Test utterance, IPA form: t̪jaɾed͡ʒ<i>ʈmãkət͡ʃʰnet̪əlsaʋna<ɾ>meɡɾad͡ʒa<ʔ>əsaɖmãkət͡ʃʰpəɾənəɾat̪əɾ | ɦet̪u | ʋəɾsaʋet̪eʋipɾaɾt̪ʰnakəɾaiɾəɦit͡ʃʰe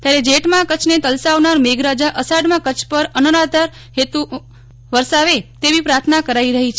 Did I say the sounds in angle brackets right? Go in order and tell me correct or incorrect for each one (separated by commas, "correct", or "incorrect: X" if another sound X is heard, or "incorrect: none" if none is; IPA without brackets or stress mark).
incorrect: e, correct, correct